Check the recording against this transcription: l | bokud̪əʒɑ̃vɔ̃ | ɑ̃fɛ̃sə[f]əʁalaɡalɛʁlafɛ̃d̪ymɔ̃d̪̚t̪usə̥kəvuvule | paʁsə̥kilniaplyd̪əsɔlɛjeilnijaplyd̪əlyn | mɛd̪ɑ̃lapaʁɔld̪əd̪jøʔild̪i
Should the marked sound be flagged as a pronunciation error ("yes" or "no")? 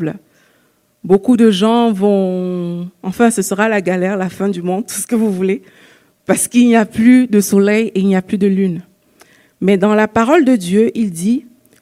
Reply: yes